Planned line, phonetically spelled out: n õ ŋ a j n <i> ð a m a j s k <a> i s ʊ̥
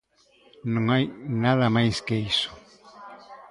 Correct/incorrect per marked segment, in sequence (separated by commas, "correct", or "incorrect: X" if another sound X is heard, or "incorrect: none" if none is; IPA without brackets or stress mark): incorrect: a, incorrect: e